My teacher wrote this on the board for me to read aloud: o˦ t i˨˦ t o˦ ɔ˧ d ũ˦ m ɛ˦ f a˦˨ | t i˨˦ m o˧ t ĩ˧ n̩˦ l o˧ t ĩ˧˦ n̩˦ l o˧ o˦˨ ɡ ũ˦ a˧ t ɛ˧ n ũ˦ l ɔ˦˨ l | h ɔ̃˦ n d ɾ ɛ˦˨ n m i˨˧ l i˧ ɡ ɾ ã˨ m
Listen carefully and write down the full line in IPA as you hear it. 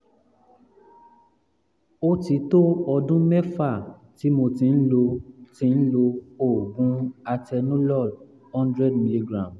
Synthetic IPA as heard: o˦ t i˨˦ t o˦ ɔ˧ d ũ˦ m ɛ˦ f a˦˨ | t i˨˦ m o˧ t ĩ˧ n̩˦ l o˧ t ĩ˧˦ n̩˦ l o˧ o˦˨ ɡ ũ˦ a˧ t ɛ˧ n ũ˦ l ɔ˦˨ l | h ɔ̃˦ n d ɾ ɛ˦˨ d m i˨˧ l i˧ ɡ ɾ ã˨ m